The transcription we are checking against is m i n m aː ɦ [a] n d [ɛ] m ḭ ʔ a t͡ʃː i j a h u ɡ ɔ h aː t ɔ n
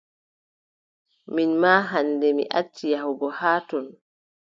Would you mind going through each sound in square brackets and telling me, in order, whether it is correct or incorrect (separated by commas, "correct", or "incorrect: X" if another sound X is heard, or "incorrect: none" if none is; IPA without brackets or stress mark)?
correct, correct